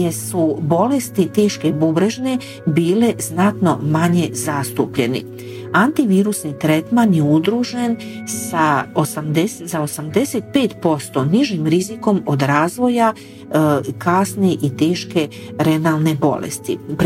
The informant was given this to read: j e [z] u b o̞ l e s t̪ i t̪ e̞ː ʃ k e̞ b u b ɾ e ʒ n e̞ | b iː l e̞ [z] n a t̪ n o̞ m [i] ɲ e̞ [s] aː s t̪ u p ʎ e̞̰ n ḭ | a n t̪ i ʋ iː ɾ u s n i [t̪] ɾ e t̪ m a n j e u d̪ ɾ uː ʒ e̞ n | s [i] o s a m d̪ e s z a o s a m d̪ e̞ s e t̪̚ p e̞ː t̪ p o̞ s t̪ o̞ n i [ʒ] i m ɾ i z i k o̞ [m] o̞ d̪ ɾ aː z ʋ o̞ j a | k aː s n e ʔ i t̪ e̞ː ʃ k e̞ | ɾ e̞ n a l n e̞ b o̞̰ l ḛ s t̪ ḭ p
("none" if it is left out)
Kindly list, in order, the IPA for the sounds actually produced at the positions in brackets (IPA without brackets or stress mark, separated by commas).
s, z, a, z, t̪, a, ʒ, m